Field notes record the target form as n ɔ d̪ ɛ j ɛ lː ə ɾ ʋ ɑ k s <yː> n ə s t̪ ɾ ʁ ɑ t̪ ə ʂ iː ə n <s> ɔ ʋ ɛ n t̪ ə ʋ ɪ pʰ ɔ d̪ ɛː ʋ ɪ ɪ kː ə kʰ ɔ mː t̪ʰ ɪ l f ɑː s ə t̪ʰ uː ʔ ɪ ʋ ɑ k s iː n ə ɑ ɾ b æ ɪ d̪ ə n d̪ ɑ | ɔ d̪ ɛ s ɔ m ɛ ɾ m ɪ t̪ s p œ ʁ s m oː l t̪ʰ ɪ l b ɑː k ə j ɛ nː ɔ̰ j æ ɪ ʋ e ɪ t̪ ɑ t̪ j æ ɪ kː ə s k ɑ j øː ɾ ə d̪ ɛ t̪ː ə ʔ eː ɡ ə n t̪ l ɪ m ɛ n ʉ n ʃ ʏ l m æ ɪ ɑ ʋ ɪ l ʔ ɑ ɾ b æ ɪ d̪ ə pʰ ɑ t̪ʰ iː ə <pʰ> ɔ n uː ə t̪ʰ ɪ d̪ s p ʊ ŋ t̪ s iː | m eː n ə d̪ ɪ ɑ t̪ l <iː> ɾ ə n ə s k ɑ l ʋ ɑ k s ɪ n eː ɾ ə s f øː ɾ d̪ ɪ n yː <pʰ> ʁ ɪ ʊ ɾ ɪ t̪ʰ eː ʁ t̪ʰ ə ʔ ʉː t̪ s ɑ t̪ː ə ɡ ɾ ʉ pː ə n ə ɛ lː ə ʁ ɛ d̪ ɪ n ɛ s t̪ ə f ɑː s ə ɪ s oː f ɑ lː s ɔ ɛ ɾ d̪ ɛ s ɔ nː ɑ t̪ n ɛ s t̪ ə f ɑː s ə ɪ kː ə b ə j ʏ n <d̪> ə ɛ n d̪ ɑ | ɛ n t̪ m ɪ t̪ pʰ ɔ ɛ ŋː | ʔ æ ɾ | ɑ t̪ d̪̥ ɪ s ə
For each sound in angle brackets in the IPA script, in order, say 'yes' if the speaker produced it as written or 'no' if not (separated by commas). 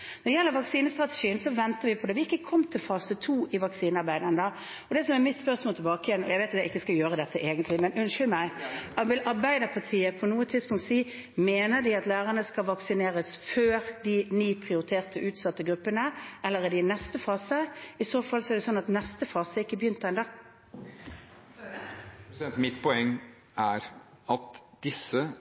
no, yes, yes, no, yes, no